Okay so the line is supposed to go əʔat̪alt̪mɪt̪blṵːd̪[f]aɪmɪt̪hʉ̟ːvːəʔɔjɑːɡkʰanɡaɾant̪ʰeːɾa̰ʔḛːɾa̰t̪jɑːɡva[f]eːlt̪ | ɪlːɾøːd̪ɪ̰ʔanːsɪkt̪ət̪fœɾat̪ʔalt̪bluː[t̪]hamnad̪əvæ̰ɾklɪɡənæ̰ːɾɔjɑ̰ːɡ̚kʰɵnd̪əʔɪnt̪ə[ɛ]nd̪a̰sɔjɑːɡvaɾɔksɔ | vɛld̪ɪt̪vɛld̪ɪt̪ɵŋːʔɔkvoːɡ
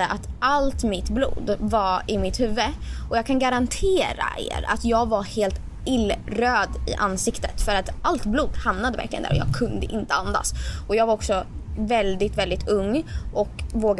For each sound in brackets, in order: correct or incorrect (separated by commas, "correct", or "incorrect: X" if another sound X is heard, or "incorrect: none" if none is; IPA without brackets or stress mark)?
incorrect: v, incorrect: h, incorrect: d̪, incorrect: a